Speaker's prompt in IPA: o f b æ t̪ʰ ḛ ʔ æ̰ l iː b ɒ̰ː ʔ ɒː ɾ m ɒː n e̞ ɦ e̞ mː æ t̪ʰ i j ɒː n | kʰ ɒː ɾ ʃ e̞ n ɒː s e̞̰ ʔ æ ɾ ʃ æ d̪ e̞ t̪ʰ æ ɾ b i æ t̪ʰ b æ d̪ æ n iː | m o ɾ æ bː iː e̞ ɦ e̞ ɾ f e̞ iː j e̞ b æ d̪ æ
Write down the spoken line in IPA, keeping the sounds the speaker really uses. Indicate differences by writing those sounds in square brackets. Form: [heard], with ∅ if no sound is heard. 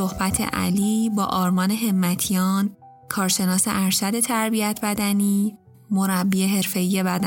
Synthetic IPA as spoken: o [h] b æ t̪ʰ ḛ ʔ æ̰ l iː b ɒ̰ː ʔ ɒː ɾ m ɒː n e̞ ɦ e̞ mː æ t̪ʰ i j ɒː n | kʰ ɒː ɾ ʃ e̞ n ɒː s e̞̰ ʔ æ ɾ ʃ æ d̪ e̞ t̪ʰ æ ɾ b i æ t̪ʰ b æ d̪ æ n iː | m o ɾ æ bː iː e̞ ɦ e̞ ɾ f e̞ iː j e̞ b æ d̪ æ